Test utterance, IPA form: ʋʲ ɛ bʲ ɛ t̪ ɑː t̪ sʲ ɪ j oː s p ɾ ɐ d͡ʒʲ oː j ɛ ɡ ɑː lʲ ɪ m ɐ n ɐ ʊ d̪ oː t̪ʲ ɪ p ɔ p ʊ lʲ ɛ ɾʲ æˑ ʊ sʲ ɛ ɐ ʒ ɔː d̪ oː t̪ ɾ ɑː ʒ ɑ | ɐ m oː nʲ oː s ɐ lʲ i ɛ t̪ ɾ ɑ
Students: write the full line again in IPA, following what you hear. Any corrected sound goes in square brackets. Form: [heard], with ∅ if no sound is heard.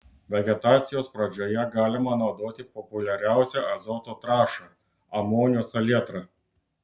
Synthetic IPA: ʋʲ ɛ [ɡʲ] ɛ t̪ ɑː t̪ sʲ ɪ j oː s p ɾ ɐ d͡ʒʲ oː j ɛ ɡ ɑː lʲ ɪ m ɐ n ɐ ʊ d̪ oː t̪ʲ ɪ p ɔ p ʊ lʲ ɛ ɾʲ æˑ ʊ sʲ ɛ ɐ [z] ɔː [t̪] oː t̪ ɾ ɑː [ʃ] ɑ | ɐ m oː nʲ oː s ɐ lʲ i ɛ t̪ ɾ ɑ

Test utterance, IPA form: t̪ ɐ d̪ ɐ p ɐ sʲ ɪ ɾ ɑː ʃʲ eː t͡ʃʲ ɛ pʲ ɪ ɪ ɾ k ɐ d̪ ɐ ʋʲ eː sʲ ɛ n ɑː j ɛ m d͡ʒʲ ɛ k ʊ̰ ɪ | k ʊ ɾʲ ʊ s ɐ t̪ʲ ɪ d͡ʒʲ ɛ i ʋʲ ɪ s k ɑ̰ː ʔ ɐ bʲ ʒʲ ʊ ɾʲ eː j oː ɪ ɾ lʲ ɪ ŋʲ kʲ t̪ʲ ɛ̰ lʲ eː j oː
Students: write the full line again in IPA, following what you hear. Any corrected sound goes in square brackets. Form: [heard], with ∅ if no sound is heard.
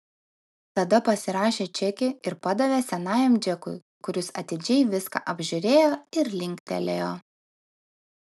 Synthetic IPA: t̪ ɐ d̪ ɐ p ɐ sʲ ɪ ɾ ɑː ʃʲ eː t͡ʃʲ ɛ [kʲ] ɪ ɪ ɾ [p] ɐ d̪ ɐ ʋʲ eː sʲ ɛ n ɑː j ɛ m d͡ʒʲ ɛ k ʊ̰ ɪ | k ʊ ɾʲ ʊ s ɐ t̪ʲ ɪ d͡ʒʲ ɛ [ɪ] ʋʲ ɪ s k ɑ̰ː ʔ ɐ bʲ ʒʲ ʊ ɾʲ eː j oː ɪ ɾ lʲ ɪ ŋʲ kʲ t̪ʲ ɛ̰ lʲ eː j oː

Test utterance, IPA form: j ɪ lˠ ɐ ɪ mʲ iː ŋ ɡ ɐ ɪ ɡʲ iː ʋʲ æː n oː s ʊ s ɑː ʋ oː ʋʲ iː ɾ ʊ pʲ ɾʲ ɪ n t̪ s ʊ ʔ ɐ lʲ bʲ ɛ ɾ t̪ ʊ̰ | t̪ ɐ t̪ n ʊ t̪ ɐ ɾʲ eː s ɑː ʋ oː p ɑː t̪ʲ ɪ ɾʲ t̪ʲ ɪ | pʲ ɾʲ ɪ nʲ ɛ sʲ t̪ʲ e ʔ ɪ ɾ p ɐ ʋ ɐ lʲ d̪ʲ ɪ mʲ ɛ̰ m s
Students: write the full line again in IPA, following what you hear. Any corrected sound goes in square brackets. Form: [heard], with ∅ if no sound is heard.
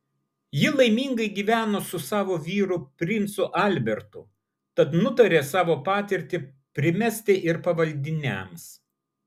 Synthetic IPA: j ɪ lˠ ɐ ɪ mʲ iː ŋ ɡ ɐ ɪ ɡʲ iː ʋʲ æː n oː s ʊ s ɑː ʋ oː ʋʲ iː ɾ ʊ pʲ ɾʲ ɪ n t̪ s ʊ ʔ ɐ lʲ bʲ ɛ ɾ t̪ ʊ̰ | t̪ ɐ t̪ n ʊ t̪ ɐ ɾʲ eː s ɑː ʋ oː p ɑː t̪ʲ ɪ ɾʲ t̪ʲ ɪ | pʲ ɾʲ ɪ [mʲ] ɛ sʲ t̪ʲ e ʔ ɪ ɾ p ɐ ʋ ɐ lʲ d̪ʲ ɪ [nʲ] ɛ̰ m s

